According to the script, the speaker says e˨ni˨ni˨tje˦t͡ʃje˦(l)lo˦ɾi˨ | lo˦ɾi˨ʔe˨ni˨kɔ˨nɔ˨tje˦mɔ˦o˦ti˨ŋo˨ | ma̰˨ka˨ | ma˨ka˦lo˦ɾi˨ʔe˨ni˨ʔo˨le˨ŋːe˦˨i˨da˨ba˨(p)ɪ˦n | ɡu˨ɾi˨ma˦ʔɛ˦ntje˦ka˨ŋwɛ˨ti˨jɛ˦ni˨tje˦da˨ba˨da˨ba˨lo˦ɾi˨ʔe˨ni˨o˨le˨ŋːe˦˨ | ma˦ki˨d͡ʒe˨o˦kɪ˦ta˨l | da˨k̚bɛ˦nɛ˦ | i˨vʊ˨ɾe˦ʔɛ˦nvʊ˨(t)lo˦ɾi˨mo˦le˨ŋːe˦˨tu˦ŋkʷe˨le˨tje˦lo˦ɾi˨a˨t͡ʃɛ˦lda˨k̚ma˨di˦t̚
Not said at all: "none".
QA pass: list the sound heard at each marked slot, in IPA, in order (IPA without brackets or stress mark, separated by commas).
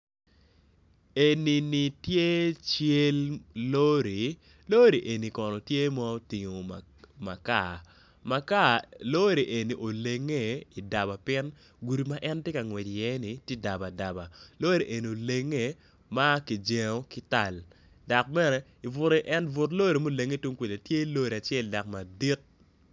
l, p, t